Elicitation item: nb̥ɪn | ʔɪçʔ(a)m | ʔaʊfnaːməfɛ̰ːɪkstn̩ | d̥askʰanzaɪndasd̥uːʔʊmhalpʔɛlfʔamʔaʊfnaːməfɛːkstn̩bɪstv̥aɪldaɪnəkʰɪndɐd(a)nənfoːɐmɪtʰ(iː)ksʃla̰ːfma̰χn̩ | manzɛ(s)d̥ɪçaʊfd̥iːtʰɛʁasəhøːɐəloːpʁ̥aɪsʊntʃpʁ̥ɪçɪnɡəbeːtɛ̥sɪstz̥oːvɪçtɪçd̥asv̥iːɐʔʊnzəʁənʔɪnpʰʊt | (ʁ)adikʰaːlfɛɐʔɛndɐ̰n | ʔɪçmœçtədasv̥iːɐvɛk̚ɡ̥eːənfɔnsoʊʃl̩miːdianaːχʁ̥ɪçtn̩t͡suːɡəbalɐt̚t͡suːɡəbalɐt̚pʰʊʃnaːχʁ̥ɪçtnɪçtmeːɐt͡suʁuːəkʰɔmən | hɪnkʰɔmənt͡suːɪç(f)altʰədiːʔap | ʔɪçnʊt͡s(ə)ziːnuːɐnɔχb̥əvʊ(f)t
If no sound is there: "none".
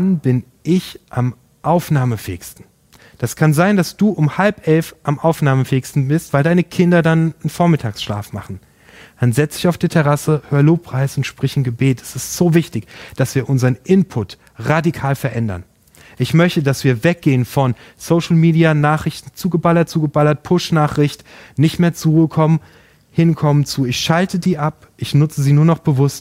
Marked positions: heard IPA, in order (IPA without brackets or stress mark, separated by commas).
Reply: a, a, aː, t͡s, ʁ, ʃ, ə, s